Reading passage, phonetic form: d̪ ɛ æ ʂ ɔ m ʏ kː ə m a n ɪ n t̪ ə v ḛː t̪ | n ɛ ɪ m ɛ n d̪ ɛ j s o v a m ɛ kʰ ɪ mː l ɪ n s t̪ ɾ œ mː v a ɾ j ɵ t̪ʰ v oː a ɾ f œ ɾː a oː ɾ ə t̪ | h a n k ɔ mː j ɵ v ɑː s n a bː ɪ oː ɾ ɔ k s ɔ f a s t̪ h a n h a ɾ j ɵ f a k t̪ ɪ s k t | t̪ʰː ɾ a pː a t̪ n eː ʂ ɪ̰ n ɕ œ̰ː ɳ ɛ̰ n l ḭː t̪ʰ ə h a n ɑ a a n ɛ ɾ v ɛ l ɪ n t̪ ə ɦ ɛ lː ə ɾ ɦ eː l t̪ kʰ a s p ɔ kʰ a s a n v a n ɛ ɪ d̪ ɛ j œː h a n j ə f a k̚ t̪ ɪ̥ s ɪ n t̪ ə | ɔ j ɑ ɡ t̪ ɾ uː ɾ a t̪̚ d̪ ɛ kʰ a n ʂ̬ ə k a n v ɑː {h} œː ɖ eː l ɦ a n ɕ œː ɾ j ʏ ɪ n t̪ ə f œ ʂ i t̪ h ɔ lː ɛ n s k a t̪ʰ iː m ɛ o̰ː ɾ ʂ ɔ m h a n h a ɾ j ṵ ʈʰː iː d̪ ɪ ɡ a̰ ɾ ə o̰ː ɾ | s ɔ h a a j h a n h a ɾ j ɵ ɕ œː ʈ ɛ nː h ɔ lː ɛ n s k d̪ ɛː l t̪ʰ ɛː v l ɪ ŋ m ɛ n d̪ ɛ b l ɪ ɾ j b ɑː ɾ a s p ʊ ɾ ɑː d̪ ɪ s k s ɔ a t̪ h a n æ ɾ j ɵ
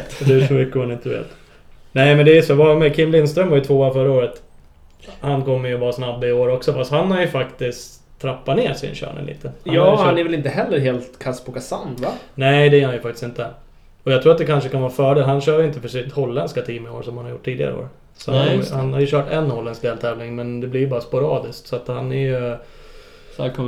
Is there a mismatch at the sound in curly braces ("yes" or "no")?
yes